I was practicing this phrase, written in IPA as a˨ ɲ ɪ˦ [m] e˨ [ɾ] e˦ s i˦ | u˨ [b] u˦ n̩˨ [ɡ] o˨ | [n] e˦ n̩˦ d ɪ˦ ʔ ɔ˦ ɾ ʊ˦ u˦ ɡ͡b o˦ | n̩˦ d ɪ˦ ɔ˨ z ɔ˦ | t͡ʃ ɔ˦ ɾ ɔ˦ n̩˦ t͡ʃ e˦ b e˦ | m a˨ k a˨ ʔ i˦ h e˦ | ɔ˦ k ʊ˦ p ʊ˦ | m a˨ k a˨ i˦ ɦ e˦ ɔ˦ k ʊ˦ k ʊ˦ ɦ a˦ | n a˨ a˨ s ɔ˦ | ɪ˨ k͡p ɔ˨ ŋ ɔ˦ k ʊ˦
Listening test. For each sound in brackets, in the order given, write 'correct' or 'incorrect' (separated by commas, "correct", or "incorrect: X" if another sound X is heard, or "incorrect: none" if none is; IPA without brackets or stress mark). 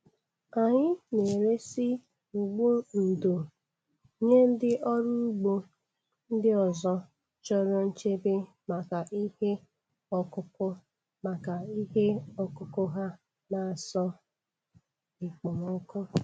incorrect: n, correct, incorrect: ɡ͡b, incorrect: d, incorrect: ɲ